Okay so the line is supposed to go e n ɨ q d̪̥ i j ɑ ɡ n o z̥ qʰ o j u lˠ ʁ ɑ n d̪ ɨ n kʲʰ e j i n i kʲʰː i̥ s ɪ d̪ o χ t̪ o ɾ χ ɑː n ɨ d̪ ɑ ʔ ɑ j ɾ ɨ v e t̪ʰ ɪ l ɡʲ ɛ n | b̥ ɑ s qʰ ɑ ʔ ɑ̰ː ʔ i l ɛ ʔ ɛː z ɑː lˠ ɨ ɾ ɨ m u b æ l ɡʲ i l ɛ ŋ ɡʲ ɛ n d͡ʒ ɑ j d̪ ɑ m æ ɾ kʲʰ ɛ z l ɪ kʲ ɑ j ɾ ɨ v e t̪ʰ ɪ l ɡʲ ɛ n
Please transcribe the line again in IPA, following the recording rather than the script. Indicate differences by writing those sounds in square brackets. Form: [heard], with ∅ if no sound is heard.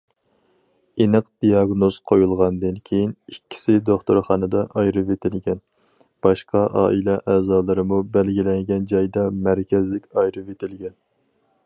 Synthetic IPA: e n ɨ q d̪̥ i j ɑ ɡ n o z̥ qʰ o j u lˠ ʁ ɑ n d̪ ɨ n kʲʰ e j i n i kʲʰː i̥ s ɪ d̪ o χ t̪ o ɾ χ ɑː n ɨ d̪ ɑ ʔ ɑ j ɾ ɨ v e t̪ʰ ɪ l ɡʲ ɛ n | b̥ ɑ [ʃ] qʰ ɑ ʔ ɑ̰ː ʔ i l ɛ ʔ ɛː z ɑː lˠ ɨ ɾ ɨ m u b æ l ɡʲ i l ɛ ŋ ɡʲ ɛ n d͡ʒ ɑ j d̪ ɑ m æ ɾ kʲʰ ɛ z l ɪ kʲ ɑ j ɾ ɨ v e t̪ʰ ɪ l ɡʲ ɛ n